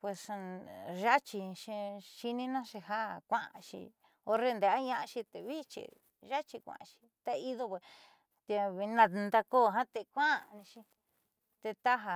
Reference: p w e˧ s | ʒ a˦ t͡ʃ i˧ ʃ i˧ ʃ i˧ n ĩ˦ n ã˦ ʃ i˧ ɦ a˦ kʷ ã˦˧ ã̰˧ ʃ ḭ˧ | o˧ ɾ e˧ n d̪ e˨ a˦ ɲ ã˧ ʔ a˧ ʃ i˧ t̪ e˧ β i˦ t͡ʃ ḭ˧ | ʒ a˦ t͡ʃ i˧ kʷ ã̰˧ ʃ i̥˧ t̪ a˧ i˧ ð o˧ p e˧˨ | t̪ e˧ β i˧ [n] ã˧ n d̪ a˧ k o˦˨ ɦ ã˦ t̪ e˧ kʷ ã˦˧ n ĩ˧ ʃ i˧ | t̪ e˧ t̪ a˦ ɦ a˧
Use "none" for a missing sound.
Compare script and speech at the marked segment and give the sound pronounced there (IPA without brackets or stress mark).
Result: n